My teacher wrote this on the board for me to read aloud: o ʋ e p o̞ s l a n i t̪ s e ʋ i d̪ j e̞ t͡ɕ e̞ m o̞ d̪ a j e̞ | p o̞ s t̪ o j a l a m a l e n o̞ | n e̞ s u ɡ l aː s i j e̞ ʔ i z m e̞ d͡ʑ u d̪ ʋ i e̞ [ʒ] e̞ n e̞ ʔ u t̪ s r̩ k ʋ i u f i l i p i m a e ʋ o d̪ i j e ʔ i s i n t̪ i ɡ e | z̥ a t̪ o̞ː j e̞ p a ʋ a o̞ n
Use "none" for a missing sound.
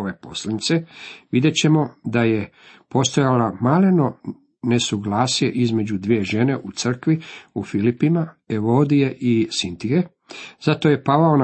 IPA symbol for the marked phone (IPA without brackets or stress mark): ʒ